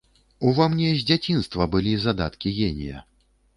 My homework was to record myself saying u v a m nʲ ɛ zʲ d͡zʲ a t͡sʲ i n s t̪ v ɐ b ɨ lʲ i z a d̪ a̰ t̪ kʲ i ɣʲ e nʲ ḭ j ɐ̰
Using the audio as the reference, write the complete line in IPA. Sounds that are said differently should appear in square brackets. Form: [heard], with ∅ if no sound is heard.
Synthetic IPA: u v a m nʲ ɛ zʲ d͡zʲ a t͡sʲ i n s t̪ v ɐ b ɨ lʲ i z a d̪ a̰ t̪ kʲ i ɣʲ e nʲ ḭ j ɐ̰